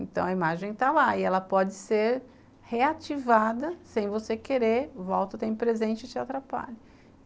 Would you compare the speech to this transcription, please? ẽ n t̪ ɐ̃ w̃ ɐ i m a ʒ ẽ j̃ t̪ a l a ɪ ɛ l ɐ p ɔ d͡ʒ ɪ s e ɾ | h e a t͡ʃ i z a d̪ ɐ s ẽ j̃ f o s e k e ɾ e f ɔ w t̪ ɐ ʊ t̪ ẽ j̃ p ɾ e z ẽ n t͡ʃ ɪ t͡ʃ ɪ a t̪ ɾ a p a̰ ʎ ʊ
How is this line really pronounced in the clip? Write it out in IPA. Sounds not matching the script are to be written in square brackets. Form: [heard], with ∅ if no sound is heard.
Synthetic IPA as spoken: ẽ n t̪ ɐ̃ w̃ ɐ i m a ʒ ẽ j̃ t̪ a l a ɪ ɛ l ɐ p ɔ d͡ʒ ɪ s e ɾ | h e a t͡ʃ i [v] a d̪ ɐ s ẽ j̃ [v] o s e k e ɾ e [v] ɔ w t̪ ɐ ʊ t̪ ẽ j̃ p ɾ e z ẽ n t͡ʃ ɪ t͡ʃ ɪ a t̪ ɾ a p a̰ ʎ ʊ

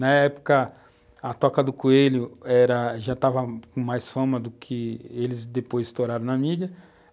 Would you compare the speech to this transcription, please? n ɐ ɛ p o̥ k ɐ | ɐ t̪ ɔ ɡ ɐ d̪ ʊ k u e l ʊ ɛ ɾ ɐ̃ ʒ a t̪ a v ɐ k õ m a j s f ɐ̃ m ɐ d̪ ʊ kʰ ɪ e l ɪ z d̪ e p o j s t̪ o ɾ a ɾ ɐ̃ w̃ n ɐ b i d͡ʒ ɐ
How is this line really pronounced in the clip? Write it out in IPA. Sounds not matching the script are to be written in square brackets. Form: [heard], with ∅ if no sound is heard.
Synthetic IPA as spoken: n ɐ ɛ p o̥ k ɐ | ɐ t̪ ɔ [k] ɐ d̪ ʊ k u e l ʊ ɛ ɾ [ɐ] ʒ a t̪ a v ɐ k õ m a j s f ɐ̃ m ɐ d̪ ʊ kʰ ɪ e l ɪ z d̪ e p o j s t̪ o ɾ a ɾ ɐ̃ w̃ n ɐ [m] i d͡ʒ ɐ

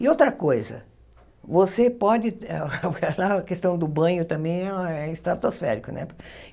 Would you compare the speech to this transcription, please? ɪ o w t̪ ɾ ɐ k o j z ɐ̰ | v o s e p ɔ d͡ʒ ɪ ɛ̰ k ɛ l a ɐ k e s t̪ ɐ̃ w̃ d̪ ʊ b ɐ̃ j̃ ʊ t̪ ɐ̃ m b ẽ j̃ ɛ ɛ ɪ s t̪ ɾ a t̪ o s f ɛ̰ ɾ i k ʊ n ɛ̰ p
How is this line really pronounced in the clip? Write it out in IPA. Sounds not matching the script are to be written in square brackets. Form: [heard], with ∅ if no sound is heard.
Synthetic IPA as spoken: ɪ o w t̪ ɾ ɐ k o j z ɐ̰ | v o s e p ɔ d͡ʒ ɪ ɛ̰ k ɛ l a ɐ k e s t̪ ɐ̃ w̃ d̪ ʊ b ɐ̃ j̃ ʊ t̪ ɐ̃ m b ẽ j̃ ɛ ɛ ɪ s t̪ ɾ a t̪ o s f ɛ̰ ɾ i k ʊ n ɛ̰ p

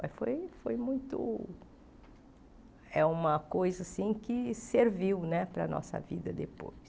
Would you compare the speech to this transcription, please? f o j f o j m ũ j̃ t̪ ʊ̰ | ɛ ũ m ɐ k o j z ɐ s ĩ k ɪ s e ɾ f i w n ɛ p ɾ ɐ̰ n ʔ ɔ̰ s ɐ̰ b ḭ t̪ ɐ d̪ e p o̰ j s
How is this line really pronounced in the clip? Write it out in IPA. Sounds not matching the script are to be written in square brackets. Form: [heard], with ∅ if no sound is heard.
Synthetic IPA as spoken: f o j f o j m ũ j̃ t̪ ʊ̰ | ɛ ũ m ɐ k o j z ɐ s ĩ k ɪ s e ɾ [v] i w n ɛ p ɾ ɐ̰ n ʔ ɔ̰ s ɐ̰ [v] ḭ [d̪] ɐ d̪ e p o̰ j s

